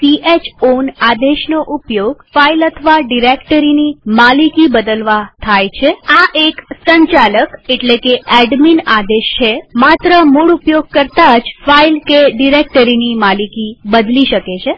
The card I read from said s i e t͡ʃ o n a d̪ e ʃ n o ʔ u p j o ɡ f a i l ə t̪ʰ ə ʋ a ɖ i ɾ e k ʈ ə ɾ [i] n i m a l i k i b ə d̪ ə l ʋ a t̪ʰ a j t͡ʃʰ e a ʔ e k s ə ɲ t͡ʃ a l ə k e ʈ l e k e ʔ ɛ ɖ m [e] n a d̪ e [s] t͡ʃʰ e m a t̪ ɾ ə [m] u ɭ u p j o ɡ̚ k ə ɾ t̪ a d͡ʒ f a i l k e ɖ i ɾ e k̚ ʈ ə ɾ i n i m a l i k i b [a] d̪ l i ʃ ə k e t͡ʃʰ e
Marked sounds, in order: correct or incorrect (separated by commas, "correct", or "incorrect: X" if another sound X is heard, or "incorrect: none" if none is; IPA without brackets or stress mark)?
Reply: correct, incorrect: i, incorrect: ʃ, correct, incorrect: ə